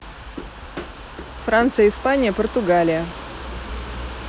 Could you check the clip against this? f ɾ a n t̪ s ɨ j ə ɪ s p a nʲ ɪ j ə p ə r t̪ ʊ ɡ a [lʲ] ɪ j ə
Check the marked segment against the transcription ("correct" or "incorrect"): correct